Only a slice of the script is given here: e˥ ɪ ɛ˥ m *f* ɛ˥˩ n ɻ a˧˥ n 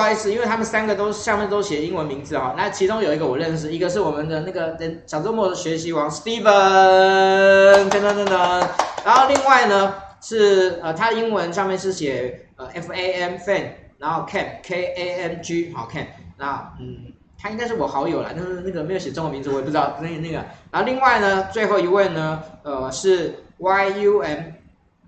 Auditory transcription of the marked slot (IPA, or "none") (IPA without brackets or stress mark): f